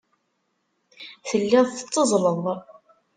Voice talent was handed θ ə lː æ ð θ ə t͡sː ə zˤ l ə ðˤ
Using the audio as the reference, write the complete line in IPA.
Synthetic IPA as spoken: θ ə lː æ ð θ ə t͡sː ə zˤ l ə ðˤ